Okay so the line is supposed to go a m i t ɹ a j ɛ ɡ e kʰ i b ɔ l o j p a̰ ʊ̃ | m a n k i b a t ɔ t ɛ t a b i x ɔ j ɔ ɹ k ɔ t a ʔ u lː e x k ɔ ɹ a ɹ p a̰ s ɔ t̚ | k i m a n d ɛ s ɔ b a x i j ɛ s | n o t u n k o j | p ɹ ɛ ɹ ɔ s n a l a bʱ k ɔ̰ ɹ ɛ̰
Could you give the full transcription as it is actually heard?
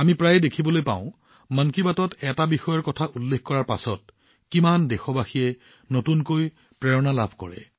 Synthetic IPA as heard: a m i p ɹ a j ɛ d e kʰ i b ɔ l o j p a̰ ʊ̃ | m a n k i b a t ɔ t ɛ t a b i x ɔ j ɔ ɹ k ɔ tʰ a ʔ u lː e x k ɔ ɹ a ɹ p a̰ s ɔ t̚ | k i m a n d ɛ x ɔ b a x i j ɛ | n o t u n k o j | p ɹ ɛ ɹ ɔ n a l a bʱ k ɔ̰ ɹ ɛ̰